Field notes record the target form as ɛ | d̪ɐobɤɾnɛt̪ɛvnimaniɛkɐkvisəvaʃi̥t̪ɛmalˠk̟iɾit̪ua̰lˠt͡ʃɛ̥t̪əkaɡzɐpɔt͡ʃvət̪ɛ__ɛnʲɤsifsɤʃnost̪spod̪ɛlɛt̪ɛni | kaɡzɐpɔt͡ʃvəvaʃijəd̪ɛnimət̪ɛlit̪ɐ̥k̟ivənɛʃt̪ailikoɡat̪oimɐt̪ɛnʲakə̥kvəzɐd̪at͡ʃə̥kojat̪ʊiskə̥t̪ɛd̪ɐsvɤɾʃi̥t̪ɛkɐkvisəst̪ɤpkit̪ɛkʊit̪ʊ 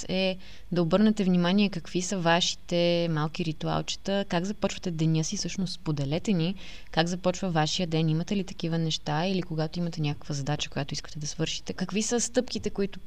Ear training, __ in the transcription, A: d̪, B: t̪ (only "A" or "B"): A